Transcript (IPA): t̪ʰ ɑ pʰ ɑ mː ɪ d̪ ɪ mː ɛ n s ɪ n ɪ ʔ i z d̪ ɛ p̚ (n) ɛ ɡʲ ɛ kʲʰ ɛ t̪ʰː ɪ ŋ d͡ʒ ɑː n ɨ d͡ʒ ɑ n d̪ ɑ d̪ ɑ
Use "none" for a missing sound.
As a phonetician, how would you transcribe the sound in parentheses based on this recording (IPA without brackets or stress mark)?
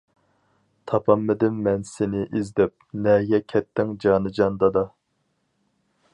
n